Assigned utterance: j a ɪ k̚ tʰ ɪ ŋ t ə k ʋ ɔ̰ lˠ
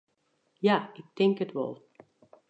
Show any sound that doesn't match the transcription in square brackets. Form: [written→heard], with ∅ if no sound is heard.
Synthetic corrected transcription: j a ɪ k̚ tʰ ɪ ŋ [t→k] ə [k→t] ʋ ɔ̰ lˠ